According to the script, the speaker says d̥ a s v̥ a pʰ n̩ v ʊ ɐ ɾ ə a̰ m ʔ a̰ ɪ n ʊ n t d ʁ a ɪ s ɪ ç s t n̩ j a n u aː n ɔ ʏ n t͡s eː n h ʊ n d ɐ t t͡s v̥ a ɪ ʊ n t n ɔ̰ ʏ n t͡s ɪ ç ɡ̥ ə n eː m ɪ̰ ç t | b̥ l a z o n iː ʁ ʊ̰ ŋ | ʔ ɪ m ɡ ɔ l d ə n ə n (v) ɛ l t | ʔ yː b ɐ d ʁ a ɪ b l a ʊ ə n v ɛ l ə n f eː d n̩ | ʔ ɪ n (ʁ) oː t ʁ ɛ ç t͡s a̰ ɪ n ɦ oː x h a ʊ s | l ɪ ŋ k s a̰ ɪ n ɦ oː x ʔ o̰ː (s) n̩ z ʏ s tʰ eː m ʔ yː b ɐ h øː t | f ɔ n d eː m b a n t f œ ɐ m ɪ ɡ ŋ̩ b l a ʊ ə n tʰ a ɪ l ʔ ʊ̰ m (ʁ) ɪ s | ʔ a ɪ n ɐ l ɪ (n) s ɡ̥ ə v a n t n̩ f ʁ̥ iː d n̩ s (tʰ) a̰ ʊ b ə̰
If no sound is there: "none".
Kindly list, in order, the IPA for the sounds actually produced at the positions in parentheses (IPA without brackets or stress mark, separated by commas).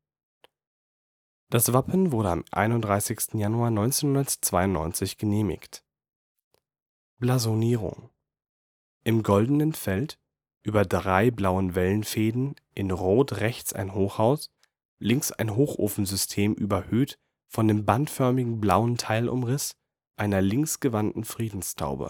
f, ʁ, f, ʁ, ŋ, tʰ